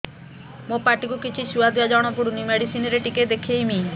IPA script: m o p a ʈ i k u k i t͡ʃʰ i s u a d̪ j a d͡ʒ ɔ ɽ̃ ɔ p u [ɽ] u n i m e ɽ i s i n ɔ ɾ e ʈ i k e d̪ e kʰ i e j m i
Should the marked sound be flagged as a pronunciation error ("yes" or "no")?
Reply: no